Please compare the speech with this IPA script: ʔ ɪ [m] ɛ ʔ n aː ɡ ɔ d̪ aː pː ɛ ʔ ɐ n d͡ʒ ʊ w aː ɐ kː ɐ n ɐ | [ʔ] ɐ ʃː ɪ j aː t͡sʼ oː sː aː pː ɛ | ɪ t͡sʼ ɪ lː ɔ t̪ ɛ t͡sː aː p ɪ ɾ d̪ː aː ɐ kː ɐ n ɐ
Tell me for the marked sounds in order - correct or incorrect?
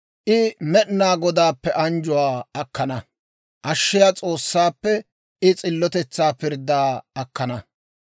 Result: correct, correct

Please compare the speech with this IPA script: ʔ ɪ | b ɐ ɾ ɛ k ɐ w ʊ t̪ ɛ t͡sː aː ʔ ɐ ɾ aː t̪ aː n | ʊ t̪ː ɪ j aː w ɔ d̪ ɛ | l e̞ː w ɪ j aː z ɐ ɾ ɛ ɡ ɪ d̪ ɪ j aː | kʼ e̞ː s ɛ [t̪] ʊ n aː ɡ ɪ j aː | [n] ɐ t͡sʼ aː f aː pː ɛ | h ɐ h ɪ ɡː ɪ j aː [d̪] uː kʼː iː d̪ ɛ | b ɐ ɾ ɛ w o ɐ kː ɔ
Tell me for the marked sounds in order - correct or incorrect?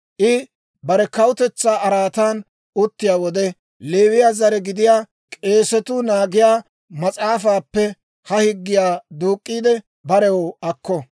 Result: correct, incorrect: m, correct

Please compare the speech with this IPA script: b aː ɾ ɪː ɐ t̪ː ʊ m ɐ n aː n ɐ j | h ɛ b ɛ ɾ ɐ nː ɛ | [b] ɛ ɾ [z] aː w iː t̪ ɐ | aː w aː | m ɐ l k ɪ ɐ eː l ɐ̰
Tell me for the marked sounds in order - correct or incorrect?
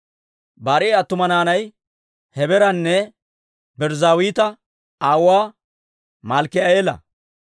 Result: correct, correct

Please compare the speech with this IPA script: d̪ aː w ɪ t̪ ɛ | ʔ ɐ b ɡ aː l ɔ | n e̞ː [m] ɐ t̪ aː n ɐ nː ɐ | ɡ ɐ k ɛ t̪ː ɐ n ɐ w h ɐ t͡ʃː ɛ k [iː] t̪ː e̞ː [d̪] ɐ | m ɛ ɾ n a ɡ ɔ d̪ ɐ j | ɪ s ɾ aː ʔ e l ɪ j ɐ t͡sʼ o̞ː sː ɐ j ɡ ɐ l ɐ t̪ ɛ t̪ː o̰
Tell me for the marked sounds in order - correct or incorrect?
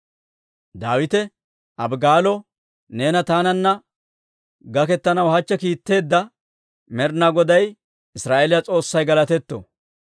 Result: incorrect: n, correct, incorrect: d̪ː

